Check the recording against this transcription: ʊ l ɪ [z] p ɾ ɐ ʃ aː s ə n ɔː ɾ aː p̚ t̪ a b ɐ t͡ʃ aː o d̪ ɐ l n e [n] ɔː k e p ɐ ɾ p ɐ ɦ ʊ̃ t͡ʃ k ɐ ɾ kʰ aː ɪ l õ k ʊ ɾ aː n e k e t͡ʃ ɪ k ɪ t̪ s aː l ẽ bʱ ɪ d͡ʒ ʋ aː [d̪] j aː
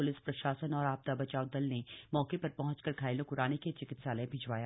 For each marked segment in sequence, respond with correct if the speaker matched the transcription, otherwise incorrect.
incorrect: s, incorrect: m, incorrect: none

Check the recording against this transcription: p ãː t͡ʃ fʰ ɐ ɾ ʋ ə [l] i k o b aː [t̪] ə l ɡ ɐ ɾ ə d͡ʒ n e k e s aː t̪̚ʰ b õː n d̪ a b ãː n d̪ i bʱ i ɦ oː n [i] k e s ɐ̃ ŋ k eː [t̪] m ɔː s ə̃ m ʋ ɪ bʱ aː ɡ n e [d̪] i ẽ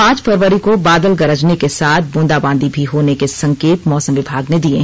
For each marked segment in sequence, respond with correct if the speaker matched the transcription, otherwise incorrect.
incorrect: ɾ, incorrect: d̪, incorrect: e, correct, correct

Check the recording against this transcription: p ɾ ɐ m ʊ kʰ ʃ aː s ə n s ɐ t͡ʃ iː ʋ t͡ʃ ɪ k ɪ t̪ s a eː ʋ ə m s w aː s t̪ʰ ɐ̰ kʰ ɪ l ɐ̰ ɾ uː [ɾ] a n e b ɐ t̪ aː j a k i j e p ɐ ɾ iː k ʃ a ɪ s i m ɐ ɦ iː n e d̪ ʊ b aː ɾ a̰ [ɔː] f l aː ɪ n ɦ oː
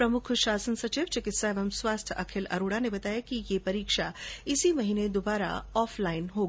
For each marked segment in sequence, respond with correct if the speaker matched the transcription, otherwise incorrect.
incorrect: ɽ, correct

